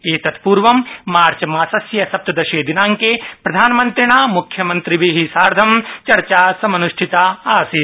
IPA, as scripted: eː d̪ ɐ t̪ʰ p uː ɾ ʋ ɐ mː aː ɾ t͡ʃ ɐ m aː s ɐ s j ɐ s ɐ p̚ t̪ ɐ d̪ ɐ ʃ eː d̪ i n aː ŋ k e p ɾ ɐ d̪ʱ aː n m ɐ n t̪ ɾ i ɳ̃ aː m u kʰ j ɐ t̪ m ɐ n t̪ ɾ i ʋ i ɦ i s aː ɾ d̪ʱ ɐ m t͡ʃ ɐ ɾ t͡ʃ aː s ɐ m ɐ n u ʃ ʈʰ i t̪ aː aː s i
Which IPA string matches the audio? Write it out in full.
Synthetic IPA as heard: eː t̪ ɐ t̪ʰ p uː ɾ ʋ ɐ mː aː ɾ t͡ʃ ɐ m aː s ɐ s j ɐ s ɐ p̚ t̪ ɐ d̪ ɐ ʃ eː d̪ i n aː ŋ k e p ɾ ɐ d̪ʱ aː n m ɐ n t̪ ɾ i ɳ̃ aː m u kʰ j ɐ m ɐ n t̪ ɾ i ʋ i ɦ i s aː ɾ d̪ʱ ɐ m t͡ʃ ɐ ɾ t͡ʃ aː s ɐ m ɐ n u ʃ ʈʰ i t̪ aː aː s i